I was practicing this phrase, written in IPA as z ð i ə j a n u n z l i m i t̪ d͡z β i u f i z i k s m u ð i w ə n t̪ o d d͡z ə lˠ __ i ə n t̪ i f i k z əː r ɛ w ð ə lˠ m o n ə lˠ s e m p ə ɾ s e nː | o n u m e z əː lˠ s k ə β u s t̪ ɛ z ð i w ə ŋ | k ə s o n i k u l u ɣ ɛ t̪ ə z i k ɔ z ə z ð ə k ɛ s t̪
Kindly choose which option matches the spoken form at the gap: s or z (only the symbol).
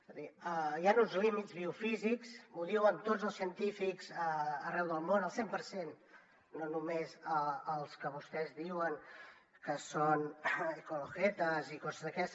s